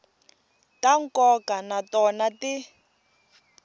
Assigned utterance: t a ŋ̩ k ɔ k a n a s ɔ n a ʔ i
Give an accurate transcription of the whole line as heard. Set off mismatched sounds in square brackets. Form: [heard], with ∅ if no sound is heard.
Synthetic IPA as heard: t a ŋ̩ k ɔ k a n a [t] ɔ n a [t] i